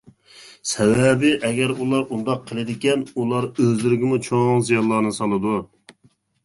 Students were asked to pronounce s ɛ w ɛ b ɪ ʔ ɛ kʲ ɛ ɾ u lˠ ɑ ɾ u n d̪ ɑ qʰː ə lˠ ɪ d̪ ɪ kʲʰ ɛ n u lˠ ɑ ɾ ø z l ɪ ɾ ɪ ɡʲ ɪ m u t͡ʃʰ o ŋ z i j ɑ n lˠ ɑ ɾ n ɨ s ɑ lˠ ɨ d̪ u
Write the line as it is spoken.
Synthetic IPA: s ɛ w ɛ b ɪ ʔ ɛ ɡʲ ɛ ɾ u lˠ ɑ ɾ u n d̪ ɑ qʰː ə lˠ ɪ d̪ ɪ kʲ ɛ n u lˠ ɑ ɾ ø z l ɪ ɾ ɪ ɡʲ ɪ m u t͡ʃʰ o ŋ z i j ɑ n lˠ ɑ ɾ n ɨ s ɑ lˠ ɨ d̪ u